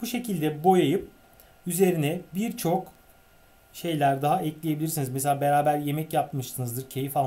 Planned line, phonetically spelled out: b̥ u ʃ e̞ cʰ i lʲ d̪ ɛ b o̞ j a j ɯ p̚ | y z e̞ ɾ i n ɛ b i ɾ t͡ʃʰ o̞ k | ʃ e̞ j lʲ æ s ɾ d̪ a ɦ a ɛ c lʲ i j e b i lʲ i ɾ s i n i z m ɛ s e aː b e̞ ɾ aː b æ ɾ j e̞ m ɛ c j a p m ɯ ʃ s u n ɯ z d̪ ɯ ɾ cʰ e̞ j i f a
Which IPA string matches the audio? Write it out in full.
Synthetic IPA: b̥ u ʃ e̞ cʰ i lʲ d̪ ɛ b o̞ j a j ɯ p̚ | y z e̞ ɾ i n ɛ b i ɾ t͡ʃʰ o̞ k | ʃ e̞ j lʲ æ ɾ d̪ a ɦ a ɛ c lʲ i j e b i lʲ i ɾ s i n i z m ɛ s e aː b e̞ ɾ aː b æ ɾ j e̞ m ɛ c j a p m ɯ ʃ s ɯ n ɯ z d̪ ɯ ɾ cʰ e̞ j i f a